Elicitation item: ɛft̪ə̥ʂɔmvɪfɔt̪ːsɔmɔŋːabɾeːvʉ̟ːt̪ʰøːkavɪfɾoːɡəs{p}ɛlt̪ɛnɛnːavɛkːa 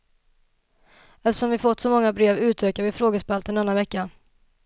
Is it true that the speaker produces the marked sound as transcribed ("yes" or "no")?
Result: yes